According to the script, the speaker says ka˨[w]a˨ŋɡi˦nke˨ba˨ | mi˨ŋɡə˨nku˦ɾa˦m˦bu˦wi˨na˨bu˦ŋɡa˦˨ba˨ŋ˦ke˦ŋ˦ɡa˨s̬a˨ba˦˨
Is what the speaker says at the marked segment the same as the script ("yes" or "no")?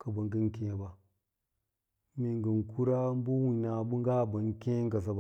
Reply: no